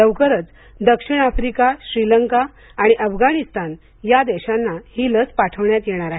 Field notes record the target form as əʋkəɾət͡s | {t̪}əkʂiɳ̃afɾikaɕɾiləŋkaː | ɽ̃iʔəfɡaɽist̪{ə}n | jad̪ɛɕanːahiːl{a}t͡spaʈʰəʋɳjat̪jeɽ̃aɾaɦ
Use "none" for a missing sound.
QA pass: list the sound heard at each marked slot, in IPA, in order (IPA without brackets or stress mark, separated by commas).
d̪, a, ə